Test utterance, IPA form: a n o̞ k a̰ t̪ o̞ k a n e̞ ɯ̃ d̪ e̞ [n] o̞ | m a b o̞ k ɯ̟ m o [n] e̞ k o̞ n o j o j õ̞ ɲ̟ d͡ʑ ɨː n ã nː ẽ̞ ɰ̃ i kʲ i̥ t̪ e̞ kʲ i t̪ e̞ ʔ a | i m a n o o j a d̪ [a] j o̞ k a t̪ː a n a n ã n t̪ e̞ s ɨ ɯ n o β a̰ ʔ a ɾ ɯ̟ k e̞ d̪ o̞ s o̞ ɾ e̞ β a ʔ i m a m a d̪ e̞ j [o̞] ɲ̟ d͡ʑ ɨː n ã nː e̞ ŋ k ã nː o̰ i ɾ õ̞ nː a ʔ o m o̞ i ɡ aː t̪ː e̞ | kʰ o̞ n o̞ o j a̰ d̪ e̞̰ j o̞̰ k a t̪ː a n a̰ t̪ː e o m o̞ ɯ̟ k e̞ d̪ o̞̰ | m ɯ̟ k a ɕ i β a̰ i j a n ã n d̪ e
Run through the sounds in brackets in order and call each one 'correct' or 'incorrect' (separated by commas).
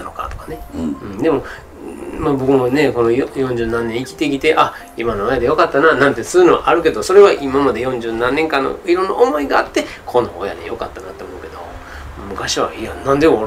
incorrect, correct, incorrect, incorrect